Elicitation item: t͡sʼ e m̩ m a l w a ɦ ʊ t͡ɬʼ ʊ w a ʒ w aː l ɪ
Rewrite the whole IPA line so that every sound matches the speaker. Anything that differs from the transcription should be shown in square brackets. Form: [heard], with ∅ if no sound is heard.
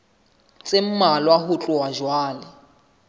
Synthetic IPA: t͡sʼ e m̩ m a l w a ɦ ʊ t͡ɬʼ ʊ w a ʒ w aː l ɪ